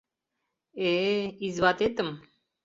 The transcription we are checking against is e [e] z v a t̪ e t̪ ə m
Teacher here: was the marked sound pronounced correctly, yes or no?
no